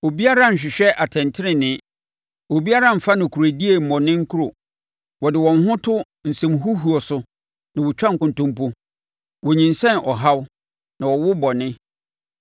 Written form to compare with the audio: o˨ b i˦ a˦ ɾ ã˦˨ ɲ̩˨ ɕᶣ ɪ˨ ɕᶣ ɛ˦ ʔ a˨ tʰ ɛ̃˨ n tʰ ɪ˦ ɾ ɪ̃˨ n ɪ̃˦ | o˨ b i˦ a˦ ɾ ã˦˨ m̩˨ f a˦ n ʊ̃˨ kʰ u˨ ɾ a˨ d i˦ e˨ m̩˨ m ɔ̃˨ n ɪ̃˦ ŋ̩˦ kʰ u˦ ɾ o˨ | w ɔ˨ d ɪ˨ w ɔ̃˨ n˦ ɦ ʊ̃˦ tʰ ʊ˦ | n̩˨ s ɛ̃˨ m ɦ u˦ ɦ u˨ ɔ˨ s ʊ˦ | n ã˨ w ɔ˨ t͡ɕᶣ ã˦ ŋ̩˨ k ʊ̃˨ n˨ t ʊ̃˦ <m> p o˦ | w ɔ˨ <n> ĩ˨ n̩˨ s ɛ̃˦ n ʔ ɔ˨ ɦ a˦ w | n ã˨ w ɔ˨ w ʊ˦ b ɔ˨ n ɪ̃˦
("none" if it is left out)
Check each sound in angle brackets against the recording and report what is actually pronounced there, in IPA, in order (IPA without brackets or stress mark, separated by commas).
m, ɲ